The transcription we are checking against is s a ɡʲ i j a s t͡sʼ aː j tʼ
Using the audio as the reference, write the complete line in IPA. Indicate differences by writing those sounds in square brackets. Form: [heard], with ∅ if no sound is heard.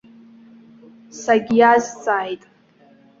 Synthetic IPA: s a ɡʲ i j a [z] t͡sʼ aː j tʼ